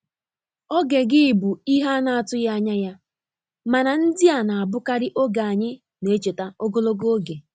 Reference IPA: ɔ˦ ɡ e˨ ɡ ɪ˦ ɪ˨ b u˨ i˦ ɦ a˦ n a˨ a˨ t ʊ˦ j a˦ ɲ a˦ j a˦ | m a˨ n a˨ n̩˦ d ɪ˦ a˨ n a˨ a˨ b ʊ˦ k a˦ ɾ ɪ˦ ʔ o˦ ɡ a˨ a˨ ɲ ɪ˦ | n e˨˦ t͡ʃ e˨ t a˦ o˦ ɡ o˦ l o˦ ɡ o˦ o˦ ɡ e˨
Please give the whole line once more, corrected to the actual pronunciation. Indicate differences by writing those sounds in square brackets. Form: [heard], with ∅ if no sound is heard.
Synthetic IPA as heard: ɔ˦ ɡ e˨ ɡ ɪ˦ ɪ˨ b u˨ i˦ ɦ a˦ n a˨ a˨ t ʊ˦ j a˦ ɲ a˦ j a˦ | m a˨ n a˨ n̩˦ d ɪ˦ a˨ n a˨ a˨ b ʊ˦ k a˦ ɾ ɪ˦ ʔ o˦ ɡ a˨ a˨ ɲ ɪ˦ | n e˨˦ t͡ʃ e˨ t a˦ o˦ ɡ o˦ l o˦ ɡ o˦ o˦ ɡ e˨